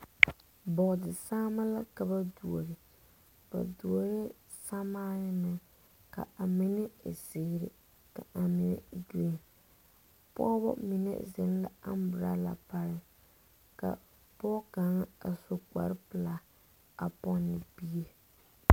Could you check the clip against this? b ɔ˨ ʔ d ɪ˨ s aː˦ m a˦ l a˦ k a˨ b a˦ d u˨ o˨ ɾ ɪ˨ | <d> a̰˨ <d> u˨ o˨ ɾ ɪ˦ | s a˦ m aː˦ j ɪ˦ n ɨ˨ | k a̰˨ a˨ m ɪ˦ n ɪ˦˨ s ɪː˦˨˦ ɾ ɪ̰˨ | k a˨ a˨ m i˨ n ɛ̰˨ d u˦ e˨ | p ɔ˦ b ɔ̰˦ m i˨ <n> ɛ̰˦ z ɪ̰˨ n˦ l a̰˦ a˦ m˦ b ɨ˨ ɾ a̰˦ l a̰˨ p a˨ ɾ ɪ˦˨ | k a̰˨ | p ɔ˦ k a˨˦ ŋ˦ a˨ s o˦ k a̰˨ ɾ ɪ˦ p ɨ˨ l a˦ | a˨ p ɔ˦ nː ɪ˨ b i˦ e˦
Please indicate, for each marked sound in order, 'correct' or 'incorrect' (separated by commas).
incorrect, correct, correct